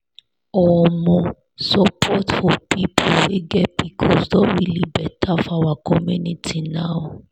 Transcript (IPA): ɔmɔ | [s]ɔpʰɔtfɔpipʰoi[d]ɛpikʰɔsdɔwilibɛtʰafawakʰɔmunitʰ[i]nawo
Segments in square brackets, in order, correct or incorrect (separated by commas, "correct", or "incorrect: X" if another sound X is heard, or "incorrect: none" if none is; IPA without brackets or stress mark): correct, incorrect: ɡ, correct